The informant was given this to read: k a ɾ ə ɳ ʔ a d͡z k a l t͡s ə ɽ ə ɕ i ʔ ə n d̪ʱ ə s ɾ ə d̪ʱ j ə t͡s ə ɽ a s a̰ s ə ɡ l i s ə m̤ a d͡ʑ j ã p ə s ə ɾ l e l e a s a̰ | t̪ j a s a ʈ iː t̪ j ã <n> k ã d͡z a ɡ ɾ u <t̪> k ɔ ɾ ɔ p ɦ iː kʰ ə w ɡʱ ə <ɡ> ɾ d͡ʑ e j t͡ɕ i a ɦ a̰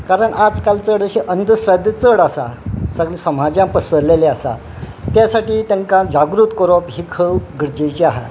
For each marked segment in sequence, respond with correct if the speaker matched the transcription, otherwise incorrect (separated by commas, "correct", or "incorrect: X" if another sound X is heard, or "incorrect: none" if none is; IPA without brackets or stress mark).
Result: incorrect: ŋ, correct, incorrect: none